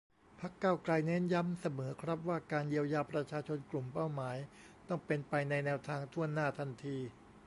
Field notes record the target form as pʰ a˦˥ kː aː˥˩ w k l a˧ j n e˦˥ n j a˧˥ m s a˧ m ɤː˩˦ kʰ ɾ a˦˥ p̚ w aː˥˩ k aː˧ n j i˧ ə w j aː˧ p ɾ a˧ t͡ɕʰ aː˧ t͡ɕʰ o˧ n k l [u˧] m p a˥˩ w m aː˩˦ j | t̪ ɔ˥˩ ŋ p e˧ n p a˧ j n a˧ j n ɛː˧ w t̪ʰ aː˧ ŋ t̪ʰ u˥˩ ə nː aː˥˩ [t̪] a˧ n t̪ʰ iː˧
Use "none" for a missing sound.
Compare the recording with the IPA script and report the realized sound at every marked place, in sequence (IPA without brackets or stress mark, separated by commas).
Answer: u˨˩, t̪ʰ